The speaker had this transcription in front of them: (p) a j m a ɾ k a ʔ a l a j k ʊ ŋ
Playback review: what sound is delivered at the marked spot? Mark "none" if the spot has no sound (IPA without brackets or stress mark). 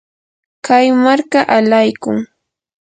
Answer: k